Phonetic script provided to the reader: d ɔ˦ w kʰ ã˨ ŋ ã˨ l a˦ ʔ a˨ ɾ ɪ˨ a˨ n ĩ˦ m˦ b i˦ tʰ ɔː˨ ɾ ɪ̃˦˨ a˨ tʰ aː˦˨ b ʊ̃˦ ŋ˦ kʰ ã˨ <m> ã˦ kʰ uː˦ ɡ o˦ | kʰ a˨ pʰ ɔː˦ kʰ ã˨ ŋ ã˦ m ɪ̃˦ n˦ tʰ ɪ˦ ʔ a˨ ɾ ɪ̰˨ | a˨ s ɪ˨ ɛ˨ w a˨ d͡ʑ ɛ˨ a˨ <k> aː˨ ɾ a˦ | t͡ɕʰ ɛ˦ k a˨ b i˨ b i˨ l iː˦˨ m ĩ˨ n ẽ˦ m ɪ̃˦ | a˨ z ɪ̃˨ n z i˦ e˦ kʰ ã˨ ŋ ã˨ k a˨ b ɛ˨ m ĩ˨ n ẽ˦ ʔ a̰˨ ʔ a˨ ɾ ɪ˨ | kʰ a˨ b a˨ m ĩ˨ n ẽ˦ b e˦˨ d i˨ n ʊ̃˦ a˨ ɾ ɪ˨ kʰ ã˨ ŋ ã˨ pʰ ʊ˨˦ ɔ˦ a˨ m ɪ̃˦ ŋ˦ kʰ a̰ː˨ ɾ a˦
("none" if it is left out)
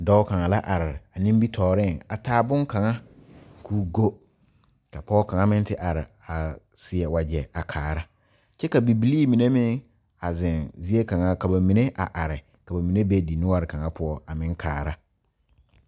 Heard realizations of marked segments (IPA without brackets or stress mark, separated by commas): ŋ, kʰ